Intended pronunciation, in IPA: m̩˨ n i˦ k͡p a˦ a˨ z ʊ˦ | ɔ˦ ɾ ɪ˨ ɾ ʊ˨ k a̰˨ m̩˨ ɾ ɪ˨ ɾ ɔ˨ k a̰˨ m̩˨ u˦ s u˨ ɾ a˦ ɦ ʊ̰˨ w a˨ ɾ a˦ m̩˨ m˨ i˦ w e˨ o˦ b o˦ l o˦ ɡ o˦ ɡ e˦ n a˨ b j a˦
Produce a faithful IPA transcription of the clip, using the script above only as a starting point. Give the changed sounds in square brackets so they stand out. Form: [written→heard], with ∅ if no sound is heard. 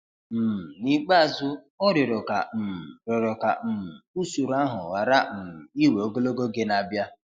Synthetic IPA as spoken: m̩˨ n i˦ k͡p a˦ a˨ z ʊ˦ | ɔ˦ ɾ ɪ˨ ɾ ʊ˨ k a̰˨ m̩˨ ɾ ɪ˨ ɾ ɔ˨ k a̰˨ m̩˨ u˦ s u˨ ɾ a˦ ɦ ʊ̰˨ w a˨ ɾ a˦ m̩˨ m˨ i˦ w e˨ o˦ [b→ɡ] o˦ l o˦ ɡ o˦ ɡ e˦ n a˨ b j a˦